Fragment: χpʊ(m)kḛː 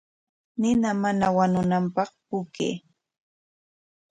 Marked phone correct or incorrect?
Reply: incorrect